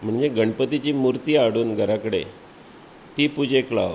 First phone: m̤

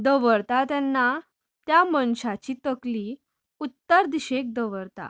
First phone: d̪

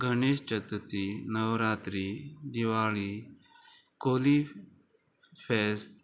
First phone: ɡʱ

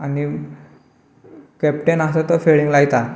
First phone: a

